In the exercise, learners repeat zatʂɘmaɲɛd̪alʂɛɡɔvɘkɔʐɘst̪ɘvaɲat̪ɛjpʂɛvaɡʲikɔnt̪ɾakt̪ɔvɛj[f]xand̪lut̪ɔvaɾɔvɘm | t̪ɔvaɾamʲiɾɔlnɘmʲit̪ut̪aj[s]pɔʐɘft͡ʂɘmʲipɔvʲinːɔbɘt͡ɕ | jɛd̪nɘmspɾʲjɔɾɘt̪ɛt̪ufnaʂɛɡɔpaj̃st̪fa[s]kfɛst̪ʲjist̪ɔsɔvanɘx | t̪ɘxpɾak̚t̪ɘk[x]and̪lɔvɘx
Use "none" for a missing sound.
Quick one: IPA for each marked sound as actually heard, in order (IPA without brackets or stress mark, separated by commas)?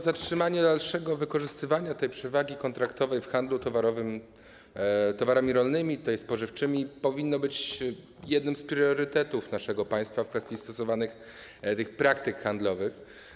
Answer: f, s, f, x